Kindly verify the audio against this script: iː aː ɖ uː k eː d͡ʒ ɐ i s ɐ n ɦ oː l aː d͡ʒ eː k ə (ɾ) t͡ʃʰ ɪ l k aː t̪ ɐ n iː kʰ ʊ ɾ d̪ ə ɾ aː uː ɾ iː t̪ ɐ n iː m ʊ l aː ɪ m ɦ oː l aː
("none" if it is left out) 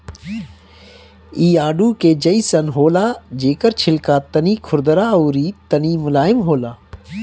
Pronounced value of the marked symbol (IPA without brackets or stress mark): ɾ